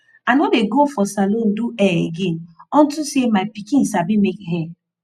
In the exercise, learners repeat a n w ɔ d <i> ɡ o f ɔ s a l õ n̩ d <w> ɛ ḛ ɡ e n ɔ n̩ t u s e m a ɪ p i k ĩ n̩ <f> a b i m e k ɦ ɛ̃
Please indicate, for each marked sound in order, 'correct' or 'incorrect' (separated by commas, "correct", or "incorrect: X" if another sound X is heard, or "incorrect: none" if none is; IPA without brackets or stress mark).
incorrect: e, incorrect: u, incorrect: s